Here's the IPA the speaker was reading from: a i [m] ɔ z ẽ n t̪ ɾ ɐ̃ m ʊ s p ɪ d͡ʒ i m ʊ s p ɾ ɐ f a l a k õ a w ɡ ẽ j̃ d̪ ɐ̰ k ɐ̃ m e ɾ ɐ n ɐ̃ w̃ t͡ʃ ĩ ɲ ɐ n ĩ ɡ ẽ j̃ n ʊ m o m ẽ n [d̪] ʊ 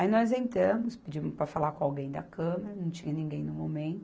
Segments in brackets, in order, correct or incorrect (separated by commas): incorrect, incorrect